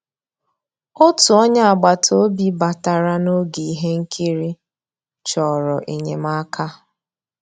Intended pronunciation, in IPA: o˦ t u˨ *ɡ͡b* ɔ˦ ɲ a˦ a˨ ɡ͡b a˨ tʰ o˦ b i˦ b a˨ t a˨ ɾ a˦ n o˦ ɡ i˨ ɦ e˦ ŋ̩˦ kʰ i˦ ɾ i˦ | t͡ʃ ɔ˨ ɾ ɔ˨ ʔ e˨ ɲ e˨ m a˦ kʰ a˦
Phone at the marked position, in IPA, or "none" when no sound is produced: none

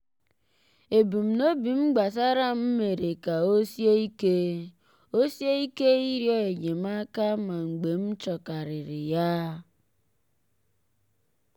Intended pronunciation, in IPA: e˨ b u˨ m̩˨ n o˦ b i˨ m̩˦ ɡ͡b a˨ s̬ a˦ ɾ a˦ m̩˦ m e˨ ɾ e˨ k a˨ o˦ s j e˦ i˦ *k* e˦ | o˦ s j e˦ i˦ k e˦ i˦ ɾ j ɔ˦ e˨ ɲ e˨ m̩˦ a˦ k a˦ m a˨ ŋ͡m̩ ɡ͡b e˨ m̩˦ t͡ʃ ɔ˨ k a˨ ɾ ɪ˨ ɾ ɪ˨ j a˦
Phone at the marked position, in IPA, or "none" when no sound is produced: k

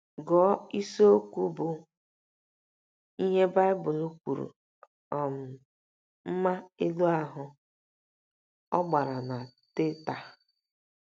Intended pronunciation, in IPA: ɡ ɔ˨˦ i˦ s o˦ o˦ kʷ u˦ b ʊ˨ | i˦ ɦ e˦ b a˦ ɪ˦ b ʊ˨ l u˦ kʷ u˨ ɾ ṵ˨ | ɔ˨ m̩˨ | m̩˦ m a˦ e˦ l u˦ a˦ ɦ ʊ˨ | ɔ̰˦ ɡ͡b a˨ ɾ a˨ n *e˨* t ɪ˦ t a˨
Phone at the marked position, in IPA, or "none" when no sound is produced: a˨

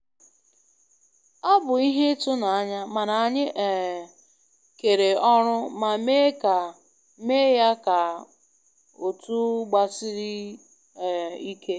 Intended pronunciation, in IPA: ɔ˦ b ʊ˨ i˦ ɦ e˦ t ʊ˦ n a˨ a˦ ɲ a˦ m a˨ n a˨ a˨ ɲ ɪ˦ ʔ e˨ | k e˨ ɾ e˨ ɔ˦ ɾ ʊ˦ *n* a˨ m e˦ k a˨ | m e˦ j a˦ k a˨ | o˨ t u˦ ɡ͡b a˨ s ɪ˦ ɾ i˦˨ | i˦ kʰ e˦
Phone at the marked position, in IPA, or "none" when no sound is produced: m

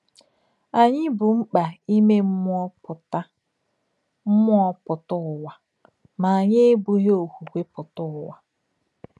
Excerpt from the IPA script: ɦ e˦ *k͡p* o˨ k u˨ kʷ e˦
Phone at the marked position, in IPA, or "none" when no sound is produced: none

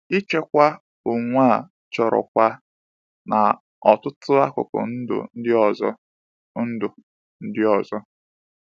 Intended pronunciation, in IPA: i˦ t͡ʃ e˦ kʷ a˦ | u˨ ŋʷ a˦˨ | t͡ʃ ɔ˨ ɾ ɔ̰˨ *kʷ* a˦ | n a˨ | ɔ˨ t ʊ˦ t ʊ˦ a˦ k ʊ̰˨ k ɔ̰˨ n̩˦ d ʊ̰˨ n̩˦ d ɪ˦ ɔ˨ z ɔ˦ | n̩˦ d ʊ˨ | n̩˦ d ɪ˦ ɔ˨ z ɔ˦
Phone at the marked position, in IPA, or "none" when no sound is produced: kʷ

